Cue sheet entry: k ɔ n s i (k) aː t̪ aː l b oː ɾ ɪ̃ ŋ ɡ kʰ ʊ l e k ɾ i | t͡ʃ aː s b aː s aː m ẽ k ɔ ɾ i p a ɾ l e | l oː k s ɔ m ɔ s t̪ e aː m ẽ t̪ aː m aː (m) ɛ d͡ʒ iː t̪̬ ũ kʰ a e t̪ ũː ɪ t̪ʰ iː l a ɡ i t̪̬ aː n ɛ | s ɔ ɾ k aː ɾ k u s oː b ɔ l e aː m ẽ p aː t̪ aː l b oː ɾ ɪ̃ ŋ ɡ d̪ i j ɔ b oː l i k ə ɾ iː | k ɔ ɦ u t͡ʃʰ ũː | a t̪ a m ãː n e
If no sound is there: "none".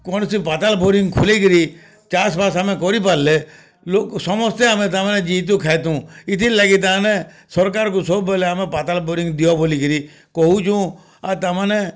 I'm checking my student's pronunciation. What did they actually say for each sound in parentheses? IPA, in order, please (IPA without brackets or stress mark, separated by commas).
p, n